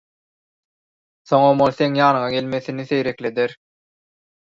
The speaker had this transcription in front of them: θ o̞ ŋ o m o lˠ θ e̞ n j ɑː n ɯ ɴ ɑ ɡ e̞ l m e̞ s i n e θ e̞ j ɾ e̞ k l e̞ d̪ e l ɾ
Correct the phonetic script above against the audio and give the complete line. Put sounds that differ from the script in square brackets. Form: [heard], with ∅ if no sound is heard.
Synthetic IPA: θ o̞ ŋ o m o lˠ θ e̞ [ŋ] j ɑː n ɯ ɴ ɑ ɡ e̞ l m e̞ [θ] i n [i] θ e̞ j ɾ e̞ k l e̞ d̪ e [∅] ɾ